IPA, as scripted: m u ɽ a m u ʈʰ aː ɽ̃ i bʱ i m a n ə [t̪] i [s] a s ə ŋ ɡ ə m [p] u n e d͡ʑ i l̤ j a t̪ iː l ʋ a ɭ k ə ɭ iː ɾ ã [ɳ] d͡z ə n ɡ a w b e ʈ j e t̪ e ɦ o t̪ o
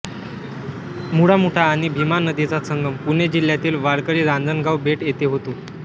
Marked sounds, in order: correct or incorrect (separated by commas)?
incorrect, incorrect, correct, incorrect